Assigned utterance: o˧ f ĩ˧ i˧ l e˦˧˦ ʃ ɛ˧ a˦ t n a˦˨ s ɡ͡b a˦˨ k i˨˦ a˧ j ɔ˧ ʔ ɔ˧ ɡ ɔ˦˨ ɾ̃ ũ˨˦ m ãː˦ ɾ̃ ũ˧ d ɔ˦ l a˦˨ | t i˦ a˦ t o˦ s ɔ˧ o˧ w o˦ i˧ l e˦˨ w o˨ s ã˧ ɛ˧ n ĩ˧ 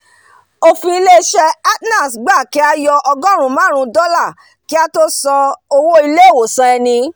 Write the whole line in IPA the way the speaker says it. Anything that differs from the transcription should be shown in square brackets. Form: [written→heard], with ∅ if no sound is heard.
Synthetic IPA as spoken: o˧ f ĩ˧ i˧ l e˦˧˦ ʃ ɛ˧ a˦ t n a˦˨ s ɡ͡b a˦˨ k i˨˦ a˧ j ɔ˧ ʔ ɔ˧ ɡ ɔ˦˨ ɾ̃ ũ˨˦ m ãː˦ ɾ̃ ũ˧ d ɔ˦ l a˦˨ | [t→k] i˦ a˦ t o˦ s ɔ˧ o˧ w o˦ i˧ l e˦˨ w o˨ s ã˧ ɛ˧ n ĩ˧